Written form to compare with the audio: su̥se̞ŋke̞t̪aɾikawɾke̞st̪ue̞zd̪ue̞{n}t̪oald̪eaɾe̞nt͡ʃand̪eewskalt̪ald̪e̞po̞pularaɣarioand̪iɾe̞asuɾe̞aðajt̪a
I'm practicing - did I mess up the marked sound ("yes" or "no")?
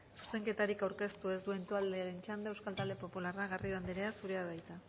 no